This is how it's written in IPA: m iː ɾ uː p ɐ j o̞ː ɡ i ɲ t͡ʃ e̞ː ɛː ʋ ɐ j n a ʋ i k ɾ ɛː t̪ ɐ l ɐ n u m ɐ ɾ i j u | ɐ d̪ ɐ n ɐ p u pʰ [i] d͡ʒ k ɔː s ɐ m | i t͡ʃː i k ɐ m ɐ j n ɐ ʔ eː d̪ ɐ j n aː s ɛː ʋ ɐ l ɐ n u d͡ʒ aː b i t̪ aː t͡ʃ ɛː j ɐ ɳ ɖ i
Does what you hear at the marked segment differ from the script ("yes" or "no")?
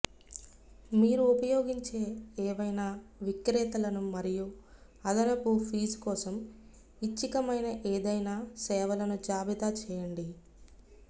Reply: yes